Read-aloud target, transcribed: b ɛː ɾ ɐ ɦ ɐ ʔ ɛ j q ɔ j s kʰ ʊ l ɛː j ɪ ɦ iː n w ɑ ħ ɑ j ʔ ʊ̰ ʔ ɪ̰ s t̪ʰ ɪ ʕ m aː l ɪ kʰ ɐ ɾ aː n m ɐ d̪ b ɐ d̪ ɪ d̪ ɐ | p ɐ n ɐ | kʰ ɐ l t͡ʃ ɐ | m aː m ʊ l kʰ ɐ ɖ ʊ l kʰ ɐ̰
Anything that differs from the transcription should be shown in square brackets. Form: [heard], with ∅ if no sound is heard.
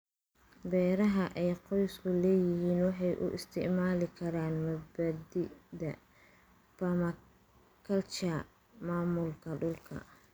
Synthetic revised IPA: b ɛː ɾ ɐ ɦ ɐ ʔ ɛ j q ɔ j s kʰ ʊ l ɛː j ɪ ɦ iː n w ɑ ħ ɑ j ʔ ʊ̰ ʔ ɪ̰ s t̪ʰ ɪ ʕ m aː l ɪ kʰ ɐ ɾ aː n m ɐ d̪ b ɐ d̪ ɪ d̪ ɐ | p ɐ [m] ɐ | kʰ ɐ l t͡ʃ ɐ | m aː m ʊ l kʰ ɐ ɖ ʊ l kʰ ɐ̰